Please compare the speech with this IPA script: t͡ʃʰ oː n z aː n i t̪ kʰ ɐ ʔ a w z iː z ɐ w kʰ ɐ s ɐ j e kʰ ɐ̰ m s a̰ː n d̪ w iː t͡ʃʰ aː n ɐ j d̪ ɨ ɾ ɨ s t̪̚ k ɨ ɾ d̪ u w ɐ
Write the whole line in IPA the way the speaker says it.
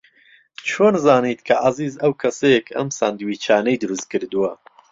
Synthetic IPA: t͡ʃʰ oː n z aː n i t̪ kʰ ɐ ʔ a z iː z ɐ w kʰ ɐ s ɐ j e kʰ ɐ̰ m s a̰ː n d̪ w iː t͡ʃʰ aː n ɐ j d̪ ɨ ɾ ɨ s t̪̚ k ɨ ɾ d̪ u w ɐ

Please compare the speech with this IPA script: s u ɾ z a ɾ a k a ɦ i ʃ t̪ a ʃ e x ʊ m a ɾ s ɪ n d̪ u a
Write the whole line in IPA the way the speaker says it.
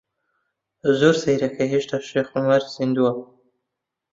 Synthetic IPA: z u ɾ s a ɾ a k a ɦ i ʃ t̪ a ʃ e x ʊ m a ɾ s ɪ n d̪ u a

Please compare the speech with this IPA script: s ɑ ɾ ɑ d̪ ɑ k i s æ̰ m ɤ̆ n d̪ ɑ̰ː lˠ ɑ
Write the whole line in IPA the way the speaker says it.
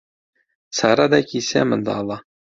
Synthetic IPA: s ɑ ɾ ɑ d̪ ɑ k i s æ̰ m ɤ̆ n d̪ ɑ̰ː lˠ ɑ

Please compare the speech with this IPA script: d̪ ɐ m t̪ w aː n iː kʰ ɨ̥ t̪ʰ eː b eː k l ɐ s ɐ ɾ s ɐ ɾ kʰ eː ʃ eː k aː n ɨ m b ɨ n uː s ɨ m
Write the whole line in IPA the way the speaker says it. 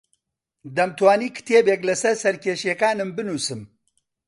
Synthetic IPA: d̪ ɐ m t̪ w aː n iː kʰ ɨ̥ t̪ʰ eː b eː k l ɐ s ɐ ɾ s ɐ ɾ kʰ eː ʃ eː k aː n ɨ m b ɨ n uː s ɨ m

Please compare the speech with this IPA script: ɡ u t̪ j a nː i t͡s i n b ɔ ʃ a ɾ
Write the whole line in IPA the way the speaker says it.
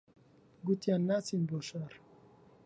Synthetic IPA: ɡ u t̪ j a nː a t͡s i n b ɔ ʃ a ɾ

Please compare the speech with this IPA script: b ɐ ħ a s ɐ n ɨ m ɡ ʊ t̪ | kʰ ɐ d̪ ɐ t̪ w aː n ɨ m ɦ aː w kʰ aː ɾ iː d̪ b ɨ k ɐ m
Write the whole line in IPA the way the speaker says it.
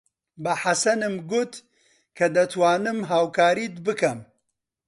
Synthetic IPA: b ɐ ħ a s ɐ n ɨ m ɡ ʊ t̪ | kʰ ɐ d̪ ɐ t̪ w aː n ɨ m ɦ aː w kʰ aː ɾ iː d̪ b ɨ k ɐ m

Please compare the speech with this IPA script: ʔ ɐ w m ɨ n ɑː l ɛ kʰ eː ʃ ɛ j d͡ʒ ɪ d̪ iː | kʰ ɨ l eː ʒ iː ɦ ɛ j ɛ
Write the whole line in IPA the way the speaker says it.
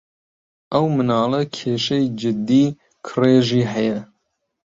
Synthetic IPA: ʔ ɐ w m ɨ n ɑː l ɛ kʰ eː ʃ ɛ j d͡ʒ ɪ d̪ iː | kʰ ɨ r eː ʒ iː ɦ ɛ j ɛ

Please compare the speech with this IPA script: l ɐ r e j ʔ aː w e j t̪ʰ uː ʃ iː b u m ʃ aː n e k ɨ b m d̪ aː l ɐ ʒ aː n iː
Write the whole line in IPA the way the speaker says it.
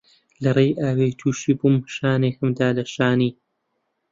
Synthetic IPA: l ɐ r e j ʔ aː w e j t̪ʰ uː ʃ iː b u m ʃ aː n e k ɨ m d̪ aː l ɐ ʃ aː n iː

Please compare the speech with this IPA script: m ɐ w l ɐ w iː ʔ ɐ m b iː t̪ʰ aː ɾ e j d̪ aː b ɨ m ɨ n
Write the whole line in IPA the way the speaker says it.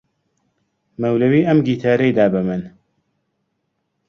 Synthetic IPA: m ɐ w l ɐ w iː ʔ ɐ m ɡ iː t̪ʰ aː ɾ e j d̪ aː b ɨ m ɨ n

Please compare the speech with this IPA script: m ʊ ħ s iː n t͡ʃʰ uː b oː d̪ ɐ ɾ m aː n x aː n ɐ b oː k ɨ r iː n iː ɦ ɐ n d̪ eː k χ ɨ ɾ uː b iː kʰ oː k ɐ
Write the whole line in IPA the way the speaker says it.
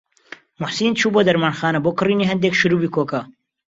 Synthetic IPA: m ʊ ħ s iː n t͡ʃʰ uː b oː d̪ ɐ ɾ m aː n x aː n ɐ b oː k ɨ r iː n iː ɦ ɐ n d̪ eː k ʃ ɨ ɾ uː b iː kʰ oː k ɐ

